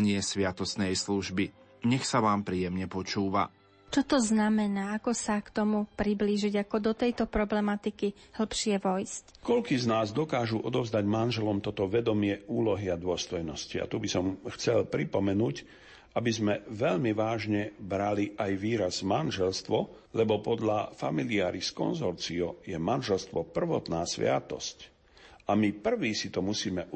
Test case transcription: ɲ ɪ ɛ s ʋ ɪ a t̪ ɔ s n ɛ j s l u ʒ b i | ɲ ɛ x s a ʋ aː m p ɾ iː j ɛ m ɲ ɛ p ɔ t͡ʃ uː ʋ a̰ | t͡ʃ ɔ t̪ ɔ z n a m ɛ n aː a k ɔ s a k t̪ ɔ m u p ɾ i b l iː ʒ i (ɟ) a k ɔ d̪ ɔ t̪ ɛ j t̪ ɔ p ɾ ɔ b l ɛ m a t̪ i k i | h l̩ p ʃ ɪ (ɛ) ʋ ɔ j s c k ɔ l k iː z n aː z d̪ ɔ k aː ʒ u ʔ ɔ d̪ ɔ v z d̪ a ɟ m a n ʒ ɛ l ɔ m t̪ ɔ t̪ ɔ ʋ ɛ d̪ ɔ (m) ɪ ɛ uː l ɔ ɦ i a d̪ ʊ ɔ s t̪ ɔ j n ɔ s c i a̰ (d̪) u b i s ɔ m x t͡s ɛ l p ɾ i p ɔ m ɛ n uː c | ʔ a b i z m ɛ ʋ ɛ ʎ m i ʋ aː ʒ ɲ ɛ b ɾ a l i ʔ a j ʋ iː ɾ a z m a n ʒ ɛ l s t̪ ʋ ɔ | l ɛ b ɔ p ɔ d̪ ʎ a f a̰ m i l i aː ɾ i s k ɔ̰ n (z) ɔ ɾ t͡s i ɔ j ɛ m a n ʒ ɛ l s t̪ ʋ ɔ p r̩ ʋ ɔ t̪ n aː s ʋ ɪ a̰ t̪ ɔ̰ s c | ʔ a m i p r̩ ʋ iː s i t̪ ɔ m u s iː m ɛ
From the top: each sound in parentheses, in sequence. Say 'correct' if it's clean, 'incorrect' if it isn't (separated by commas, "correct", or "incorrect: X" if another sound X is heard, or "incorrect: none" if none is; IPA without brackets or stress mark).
correct, correct, correct, incorrect: t̪, correct